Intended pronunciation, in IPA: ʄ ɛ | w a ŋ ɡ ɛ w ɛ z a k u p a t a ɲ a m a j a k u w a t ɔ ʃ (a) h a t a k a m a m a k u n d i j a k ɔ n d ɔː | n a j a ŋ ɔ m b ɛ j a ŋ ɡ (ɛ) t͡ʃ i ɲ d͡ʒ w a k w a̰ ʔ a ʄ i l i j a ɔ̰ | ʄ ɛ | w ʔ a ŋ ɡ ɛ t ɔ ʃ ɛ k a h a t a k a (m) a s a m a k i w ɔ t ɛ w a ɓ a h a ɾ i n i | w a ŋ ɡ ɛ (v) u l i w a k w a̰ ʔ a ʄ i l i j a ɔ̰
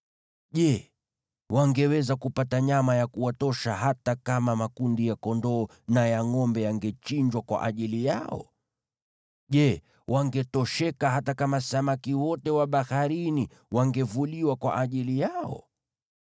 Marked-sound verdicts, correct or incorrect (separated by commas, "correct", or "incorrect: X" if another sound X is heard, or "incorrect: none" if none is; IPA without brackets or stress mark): correct, correct, correct, correct